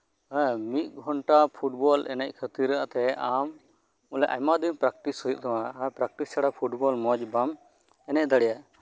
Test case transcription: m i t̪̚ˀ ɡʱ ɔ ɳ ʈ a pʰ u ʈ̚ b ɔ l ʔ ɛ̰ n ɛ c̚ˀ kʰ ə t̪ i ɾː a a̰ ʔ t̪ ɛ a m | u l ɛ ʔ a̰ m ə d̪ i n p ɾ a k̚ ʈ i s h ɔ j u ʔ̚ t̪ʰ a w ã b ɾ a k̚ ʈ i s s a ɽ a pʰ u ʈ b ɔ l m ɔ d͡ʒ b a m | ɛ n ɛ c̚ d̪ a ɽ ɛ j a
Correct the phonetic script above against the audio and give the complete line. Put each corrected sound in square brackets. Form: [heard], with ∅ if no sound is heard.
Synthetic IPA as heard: m i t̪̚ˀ ɡʱ ɔ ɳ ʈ a pʰ u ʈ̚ b ɔ l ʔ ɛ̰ n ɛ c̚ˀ kʰ ə t̪ i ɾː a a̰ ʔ t̪ ɛ a m | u l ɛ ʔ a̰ m [a] d̪ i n p ɾ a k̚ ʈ i s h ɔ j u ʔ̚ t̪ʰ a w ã [p] ɾ a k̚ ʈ i s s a ɽ a pʰ u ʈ b ɔ l m ɔ d͡ʒ b a m | ɛ n ɛ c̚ d̪ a ɽ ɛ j a

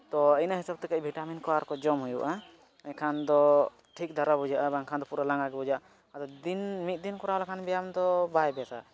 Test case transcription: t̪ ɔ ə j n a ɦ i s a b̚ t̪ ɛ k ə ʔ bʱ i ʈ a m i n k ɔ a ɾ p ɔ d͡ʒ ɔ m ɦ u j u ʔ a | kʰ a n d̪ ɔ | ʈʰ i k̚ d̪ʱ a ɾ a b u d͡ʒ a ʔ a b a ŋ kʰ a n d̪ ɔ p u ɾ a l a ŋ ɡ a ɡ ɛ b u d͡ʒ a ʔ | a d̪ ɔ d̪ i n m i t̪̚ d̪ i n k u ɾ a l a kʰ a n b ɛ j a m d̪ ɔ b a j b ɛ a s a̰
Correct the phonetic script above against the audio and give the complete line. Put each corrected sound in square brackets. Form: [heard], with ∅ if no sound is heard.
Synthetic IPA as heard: t̪ ɔ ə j n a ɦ i s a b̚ t̪ ɛ k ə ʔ bʱ i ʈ a m i n k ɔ a ɾ [k] ɔ d͡ʒ ɔ m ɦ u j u ʔ a | kʰ a n d̪ ɔ | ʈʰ i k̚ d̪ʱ a ɾ a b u d͡ʒ a ʔ a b a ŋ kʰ a n d̪ ɔ p u ɾ a l a ŋ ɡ a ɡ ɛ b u d͡ʒ a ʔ | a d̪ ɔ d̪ i n m i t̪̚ d̪ i n k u ɾ a l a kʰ a n b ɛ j a m d̪ ɔ b a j b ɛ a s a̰

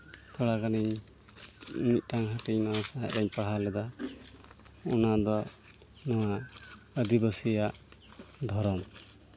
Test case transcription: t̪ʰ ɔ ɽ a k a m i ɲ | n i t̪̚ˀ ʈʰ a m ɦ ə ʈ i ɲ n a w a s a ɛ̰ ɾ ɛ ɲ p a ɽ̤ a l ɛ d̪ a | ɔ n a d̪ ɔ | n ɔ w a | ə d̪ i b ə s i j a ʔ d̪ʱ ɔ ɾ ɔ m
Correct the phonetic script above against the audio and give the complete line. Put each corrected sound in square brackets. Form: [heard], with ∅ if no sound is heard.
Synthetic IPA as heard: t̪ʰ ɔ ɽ a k a [n] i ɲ | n i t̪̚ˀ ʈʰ a [ŋ] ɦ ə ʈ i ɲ n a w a s a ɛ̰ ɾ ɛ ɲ p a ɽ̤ a l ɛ d̪ a | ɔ n a d̪ ɔ | n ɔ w a | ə d̪ i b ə s i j a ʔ d̪ʱ ɔ ɾ ɔ m

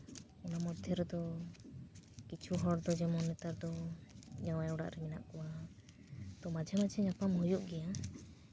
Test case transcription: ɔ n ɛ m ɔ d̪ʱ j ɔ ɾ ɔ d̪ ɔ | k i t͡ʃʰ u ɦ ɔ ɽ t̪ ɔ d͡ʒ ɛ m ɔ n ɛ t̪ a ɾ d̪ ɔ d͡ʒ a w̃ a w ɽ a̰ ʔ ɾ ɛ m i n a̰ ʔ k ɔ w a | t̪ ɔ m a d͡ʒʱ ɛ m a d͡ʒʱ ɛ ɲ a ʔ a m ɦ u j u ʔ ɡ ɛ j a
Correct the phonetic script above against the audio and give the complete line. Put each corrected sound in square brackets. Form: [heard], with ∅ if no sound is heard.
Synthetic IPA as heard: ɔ n [a] m ɔ d̪ʱ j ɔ ɾ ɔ d̪ ɔ | k i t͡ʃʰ u ɦ ɔ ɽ [d̪] ɔ d͡ʒ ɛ m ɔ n ɛ t̪ a ɾ d̪ ɔ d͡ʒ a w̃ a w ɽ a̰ ʔ ɾ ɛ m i n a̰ ʔ k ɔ w a | t̪ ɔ m a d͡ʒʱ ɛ m a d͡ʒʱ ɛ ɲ a [p] a m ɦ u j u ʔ ɡ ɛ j a

